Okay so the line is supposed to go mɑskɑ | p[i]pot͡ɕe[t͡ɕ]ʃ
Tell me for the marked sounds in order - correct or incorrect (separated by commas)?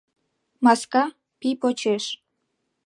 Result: correct, incorrect